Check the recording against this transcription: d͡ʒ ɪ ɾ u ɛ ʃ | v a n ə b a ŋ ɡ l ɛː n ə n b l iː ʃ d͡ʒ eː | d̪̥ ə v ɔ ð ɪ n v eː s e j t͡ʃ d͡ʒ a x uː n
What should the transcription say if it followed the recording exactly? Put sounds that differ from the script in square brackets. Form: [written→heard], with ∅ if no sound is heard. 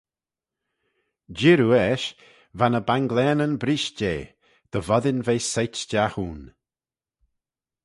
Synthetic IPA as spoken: d͡ʒ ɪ ɾ u ɛ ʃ | v a n ə b a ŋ ɡ l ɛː n ə n b [l→ɾ] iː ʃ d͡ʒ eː | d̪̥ ə v ɔ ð ɪ n v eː s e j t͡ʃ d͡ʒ a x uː n